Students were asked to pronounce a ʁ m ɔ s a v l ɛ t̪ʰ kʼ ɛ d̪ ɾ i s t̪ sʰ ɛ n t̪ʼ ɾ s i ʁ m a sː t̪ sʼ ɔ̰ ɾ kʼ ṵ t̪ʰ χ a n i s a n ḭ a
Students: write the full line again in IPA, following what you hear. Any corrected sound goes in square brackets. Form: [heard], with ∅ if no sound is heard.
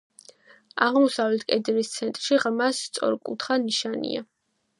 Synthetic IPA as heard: a ʁ m ɔ s a v l ɛ t̪ʰ kʼ ɛ d̪ ɾ i s t̪ sʰ ɛ n t̪ʼ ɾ [ʃ] i ʁ m a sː t̪ sʼ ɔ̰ ɾ kʼ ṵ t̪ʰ χ a n i [ʃ] a n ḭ a